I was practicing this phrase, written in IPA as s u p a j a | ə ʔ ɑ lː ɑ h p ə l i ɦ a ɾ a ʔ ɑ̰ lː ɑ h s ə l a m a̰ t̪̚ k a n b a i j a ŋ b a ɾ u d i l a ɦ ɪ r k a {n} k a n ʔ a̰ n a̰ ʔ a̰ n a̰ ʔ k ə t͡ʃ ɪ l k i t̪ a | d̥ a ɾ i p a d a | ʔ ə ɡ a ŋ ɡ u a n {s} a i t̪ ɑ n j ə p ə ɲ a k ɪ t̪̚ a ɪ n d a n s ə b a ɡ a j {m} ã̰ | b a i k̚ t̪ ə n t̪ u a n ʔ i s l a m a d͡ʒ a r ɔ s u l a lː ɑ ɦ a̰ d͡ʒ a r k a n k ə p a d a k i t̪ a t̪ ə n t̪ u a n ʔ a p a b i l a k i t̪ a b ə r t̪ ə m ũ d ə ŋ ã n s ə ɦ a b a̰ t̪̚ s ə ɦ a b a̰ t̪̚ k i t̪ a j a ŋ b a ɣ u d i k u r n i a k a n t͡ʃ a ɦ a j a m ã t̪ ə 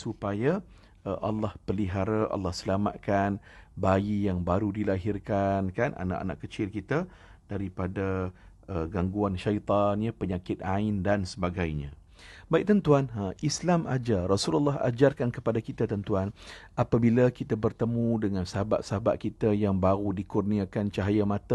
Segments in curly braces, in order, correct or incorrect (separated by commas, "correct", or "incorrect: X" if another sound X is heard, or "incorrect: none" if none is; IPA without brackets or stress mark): correct, incorrect: ʃ, incorrect: ɲ